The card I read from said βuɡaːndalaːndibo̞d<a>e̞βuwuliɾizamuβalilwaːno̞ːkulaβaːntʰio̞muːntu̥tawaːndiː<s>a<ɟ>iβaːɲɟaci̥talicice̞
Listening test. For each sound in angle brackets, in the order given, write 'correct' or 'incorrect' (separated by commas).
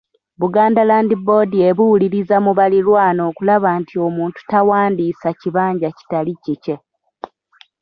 incorrect, correct, incorrect